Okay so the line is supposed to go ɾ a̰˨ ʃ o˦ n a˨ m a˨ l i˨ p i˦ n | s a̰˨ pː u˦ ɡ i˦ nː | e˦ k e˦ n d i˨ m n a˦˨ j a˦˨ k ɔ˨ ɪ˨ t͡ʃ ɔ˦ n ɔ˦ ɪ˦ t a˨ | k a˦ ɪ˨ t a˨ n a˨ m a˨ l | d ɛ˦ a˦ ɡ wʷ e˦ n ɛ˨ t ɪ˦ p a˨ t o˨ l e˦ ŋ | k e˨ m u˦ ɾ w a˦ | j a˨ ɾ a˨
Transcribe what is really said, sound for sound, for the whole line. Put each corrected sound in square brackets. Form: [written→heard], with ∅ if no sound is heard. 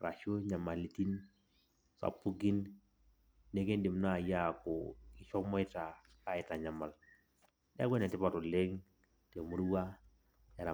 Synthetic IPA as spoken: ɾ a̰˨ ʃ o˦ [n→ɲ] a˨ m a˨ l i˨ [p→t] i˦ n | s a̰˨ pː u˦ ɡ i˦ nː | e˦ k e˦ n d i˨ m n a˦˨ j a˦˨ k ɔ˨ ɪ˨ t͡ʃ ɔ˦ [n→m] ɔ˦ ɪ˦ t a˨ | k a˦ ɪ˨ t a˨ [n→ɲ] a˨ m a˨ l | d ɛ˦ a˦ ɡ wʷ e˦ n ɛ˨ t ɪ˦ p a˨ t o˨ l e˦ ŋ | [k→t] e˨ m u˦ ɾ w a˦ | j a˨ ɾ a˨